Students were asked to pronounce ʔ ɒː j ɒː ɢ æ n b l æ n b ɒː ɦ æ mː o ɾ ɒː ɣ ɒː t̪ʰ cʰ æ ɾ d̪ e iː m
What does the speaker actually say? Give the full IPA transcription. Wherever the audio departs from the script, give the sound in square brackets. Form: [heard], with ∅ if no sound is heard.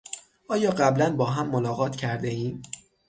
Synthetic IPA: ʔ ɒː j ɒː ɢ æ [∅] b l æ n b ɒː ɦ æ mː o [l] ɒː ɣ ɒː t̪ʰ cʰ æ ɾ d̪ e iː m